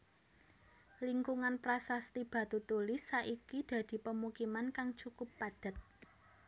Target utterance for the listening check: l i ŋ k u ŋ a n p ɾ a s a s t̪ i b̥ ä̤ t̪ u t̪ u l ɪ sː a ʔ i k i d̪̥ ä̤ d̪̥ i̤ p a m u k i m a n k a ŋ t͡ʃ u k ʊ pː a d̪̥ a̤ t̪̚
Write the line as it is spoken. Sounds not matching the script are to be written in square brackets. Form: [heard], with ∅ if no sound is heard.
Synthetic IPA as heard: l i ŋ k u ŋ a n p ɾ a s a s t̪ i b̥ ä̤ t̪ u t̪ u l ɪ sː a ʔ i k i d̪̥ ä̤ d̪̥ i̤ p [ə] m u k i m a n k a ŋ t͡ʃ u k ʊ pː a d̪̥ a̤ t̪̚